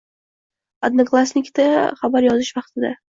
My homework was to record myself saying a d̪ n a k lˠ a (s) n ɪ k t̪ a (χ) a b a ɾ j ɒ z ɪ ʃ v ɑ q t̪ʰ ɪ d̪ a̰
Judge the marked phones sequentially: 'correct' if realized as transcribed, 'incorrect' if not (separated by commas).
correct, correct